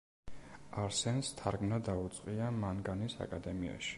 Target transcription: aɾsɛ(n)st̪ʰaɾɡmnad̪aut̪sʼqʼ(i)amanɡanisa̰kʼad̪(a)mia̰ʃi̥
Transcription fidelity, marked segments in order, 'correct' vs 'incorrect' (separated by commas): correct, correct, incorrect